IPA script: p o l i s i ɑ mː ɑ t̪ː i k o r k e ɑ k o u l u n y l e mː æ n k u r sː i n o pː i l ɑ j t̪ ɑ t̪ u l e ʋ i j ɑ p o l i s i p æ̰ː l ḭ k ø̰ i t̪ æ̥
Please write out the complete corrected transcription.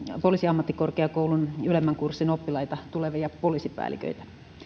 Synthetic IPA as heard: p o l i s i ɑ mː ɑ t̪ː i k o r k e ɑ k o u l u n y l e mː æ ŋ k u r sː i n o pː i l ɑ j t̪ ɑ t̪ u l e ʋ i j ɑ p o l i s i p æ̰ː l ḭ k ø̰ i t̪ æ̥